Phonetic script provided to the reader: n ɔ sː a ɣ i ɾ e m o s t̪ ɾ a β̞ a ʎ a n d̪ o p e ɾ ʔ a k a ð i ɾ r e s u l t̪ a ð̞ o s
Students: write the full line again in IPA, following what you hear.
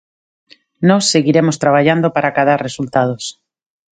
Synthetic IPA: n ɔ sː e ɣ i ɾ e m o s t̪ ɾ a β̞ a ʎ a n d̪ o p a ɾ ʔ a k a ð a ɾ r e s u l t̪ a ð̞ o s